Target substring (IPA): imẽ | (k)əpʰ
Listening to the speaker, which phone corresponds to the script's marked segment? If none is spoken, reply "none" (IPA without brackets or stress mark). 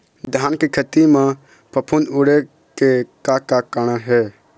p